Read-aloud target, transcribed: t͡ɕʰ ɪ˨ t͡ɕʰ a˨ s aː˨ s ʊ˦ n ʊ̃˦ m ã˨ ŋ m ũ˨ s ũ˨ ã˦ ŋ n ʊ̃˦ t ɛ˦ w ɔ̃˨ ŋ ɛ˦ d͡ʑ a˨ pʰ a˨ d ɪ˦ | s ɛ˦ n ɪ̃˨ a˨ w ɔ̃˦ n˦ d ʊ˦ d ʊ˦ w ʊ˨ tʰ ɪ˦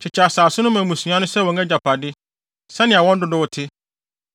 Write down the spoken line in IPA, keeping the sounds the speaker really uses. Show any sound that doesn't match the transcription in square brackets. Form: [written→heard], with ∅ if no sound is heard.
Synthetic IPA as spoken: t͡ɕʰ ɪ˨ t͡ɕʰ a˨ s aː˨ s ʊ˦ n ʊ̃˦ m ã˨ [ŋ→∅] m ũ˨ s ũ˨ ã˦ [ŋ→∅] n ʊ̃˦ [t→s] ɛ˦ w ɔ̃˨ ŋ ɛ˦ d͡ʑ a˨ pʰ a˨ d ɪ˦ | s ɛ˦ n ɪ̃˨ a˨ w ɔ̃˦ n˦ d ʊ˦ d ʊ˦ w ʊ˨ tʰ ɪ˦